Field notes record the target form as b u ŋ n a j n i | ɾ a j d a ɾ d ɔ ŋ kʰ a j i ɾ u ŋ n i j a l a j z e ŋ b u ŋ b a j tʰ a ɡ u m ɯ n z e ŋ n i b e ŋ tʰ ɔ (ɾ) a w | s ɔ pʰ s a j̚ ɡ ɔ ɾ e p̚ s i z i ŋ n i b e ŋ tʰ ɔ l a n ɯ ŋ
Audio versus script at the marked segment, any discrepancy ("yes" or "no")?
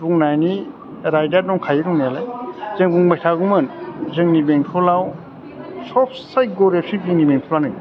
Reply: yes